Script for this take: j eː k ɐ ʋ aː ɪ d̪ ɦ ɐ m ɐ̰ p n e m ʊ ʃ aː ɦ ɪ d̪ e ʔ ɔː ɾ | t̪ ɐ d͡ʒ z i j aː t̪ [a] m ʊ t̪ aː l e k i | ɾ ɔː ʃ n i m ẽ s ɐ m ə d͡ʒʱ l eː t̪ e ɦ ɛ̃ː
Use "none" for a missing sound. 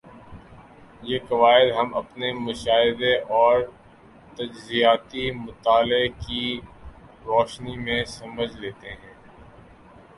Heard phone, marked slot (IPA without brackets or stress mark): i